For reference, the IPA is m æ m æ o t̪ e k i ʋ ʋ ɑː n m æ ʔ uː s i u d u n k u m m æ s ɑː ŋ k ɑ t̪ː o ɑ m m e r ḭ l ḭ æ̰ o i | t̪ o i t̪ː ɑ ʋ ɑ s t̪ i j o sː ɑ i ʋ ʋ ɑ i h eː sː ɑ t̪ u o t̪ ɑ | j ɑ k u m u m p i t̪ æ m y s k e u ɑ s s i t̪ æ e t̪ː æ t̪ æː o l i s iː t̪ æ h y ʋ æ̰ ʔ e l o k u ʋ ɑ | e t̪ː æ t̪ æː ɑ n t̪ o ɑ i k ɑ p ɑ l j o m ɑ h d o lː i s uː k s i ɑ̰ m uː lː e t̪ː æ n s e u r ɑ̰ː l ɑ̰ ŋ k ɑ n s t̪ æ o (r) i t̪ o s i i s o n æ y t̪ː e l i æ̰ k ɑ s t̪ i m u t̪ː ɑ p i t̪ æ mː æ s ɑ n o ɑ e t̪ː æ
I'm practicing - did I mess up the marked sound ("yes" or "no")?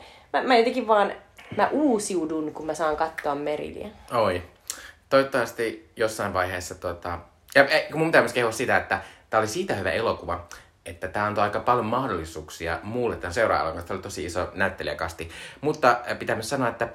yes